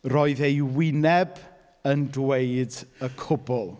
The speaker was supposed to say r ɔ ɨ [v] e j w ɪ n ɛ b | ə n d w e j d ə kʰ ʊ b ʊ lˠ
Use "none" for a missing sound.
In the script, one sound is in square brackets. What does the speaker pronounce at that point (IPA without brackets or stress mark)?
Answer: ð